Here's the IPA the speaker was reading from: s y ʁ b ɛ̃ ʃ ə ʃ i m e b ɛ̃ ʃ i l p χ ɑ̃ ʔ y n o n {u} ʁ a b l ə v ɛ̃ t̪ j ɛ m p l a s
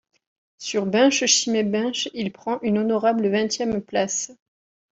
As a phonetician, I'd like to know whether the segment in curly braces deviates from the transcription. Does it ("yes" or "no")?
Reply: yes